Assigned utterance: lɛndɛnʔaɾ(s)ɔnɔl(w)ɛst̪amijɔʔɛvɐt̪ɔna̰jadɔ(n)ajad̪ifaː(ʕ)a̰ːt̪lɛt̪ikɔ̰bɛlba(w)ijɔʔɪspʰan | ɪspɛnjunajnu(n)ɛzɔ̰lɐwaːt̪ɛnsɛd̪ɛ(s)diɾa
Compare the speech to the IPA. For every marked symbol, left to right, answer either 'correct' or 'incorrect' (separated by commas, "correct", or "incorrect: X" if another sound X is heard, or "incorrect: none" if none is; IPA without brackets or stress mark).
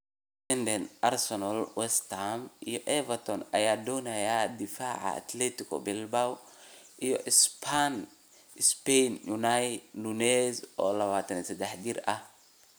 correct, correct, correct, correct, correct, correct, incorrect: ħ